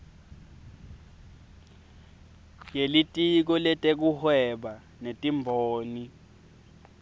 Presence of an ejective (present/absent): present